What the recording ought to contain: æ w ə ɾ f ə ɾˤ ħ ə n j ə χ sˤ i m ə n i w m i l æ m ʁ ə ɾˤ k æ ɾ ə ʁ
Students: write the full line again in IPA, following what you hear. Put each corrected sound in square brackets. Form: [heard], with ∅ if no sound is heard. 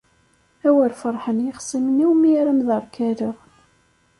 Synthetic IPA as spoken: æ w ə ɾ f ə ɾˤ ħ ə n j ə χ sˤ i m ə n i w m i [ɾ] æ m [ð] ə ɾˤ k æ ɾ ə ʁ